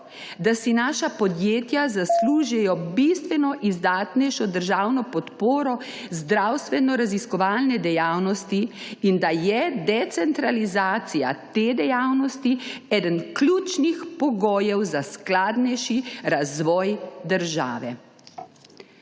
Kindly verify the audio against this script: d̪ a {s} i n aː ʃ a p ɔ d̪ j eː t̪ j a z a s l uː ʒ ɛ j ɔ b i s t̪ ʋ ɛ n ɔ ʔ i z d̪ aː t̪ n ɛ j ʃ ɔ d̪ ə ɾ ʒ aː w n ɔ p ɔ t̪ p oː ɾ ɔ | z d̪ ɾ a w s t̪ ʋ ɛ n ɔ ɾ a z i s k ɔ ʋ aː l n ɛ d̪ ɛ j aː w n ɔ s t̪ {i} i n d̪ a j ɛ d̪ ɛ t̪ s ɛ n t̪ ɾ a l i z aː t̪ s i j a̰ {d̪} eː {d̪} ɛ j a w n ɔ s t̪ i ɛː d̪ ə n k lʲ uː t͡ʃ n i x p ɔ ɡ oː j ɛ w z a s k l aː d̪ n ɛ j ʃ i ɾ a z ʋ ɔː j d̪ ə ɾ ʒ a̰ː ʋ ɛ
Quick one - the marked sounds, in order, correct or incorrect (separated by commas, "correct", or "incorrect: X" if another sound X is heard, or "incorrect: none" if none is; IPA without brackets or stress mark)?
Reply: correct, correct, incorrect: t̪, correct